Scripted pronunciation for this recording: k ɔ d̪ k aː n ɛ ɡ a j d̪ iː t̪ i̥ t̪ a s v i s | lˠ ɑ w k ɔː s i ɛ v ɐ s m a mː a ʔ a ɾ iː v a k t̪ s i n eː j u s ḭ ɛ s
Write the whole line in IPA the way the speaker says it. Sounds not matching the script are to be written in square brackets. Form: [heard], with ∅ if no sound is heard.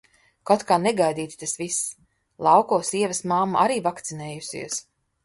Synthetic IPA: k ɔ [t̪] k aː n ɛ ɡ a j d̪ iː t̪ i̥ t̪ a s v i s | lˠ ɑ w k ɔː s i ɛ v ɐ s m a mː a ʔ a ɾ iː v a k t̪ s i n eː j u s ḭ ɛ s

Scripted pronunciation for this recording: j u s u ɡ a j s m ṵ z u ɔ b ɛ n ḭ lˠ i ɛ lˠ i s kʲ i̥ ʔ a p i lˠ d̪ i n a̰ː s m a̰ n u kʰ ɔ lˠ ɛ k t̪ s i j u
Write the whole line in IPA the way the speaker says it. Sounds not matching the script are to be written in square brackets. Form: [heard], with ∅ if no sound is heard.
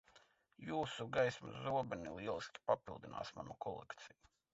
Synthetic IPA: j [uː] s u ɡ a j s m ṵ z u ɔ b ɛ n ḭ lˠ i ɛ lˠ i s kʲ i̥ [p] a p i lˠ d̪ i n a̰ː s m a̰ n u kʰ ɔ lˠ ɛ k t̪ s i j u

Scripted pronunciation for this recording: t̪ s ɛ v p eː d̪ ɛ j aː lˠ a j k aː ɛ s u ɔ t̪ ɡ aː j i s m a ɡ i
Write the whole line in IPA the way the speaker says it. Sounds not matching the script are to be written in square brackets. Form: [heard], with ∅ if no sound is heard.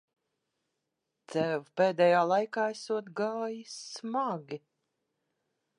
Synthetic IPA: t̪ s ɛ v p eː d̪ ɛ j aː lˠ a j k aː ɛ s u ɔ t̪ ɡ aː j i s m a ɡ i

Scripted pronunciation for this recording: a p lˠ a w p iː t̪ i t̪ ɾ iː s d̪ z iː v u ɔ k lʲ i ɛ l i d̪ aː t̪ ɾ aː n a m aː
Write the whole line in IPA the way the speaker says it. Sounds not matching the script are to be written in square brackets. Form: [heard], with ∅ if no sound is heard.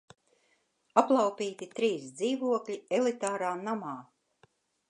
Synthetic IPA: a p lˠ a w p iː t̪ i t̪ ɾ iː s d̪ z iː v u ɔ k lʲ i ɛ l i [t̪] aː [∅] ɾ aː n a m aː

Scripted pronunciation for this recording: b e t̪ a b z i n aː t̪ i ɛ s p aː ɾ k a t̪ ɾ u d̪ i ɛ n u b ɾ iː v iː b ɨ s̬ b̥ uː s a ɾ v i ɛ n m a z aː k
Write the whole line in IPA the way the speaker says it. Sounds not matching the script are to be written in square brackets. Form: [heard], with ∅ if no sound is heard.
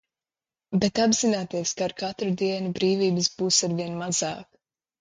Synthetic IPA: b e t̪ a b z i n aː t̪ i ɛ s [k] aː ɾ k a t̪ ɾ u d̪ i ɛ n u b ɾ iː v iː b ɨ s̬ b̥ uː s a ɾ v i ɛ n m a z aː k

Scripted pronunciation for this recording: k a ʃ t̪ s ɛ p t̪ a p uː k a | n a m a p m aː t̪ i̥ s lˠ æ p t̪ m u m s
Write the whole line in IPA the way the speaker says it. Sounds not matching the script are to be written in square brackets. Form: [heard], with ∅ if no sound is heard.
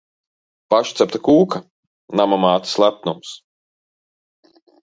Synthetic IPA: [p] a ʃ t̪ s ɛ p t̪ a [k] uː k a | n a m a [∅] m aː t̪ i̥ s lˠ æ p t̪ [n] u m s

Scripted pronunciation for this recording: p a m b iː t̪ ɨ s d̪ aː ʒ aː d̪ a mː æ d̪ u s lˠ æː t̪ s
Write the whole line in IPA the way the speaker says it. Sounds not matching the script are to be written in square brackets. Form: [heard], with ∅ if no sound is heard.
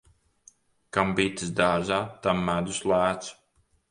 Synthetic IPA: [k] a m b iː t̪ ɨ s d̪ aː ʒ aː [t̪] a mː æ d̪ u s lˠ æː t̪ s

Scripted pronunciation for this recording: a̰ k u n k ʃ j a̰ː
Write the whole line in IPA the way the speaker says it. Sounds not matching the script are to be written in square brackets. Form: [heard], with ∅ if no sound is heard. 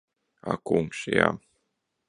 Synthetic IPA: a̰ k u [ŋ] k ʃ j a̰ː

